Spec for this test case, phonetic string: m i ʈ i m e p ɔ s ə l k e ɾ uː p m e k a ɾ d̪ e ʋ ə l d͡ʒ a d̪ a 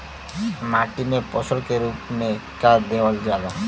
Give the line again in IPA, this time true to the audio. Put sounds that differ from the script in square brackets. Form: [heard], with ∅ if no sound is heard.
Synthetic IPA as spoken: m [a] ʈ i m e p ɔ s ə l k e ɾ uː p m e k a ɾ d̪ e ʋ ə l d͡ʒ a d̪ a